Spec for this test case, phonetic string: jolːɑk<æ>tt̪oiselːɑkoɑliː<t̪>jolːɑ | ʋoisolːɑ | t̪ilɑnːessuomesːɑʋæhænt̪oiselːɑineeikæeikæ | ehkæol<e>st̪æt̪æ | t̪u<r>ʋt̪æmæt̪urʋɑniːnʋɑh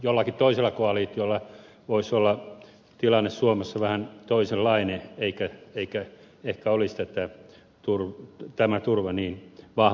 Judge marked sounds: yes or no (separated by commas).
no, yes, no, yes